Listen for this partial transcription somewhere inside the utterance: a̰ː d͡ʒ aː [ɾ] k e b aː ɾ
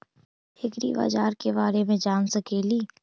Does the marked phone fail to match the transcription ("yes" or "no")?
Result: no